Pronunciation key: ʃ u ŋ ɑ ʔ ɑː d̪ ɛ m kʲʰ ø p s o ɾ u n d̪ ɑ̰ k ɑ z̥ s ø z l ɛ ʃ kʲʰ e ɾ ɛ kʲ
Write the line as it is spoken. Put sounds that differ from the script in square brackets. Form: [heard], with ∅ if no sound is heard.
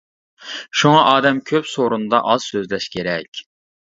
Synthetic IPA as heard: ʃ u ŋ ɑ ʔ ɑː d̪ ɛ m kʲʰ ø p s o ɾ u n d̪ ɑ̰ [ʔ] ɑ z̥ s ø z l ɛ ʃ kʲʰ e ɾ ɛ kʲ